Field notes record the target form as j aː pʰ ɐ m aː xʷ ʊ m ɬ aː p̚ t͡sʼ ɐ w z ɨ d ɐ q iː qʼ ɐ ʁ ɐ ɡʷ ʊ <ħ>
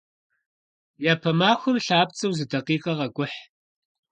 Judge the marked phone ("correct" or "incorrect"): correct